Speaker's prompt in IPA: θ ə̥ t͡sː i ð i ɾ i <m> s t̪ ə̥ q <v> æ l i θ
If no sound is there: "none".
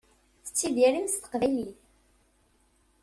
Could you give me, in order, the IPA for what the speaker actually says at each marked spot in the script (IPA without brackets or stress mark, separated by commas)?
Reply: m, v